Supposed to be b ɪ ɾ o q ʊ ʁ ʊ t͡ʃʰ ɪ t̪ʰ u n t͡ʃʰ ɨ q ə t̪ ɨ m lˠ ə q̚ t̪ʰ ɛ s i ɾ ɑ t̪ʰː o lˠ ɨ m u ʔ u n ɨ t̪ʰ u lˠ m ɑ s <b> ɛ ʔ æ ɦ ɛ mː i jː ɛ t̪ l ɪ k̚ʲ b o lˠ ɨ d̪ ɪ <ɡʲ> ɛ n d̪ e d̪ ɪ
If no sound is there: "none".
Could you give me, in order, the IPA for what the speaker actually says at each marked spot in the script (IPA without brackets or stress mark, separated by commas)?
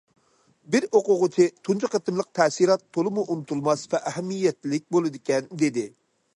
v, kʲ